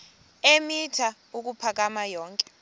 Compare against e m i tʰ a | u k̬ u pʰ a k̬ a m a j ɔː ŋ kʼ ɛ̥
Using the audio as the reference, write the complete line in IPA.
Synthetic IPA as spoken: e m i tʰ a | u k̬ u pʰ a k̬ a m a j ɔː ŋ kʼ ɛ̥